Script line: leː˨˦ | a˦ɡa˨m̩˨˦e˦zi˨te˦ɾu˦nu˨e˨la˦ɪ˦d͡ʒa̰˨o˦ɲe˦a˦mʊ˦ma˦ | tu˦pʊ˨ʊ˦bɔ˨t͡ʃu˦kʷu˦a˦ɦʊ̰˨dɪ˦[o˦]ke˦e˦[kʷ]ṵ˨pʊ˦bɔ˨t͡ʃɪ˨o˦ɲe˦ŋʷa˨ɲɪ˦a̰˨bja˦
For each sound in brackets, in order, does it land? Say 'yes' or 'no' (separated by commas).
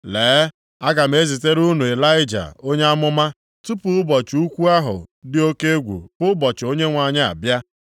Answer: yes, no